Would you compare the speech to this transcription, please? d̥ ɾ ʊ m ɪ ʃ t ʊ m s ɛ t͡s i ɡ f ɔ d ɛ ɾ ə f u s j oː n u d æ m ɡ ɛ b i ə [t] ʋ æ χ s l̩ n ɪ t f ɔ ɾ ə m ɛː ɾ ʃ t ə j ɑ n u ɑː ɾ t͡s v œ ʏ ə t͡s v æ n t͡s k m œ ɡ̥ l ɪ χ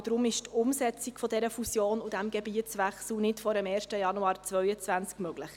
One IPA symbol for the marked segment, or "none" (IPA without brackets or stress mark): t͡s